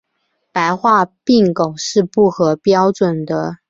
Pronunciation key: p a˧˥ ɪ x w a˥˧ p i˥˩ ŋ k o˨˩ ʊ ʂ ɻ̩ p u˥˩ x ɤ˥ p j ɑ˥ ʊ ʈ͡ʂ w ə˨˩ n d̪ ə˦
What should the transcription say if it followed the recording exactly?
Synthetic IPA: p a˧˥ ɪ x w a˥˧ p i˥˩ ŋ k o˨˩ ʊ ʂ ɻ̩ p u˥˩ x ɤ˧˥ p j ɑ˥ ʊ ʈ͡ʂ w ə˨˩ n d̪ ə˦